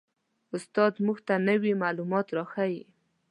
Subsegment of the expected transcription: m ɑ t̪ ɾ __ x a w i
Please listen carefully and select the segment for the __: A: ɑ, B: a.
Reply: A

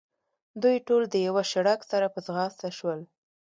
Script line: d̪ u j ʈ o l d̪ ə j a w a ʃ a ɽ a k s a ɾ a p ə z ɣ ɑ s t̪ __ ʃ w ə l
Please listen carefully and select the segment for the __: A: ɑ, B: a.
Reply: B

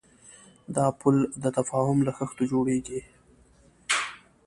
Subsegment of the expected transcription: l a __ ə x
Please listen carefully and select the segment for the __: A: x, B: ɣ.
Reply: A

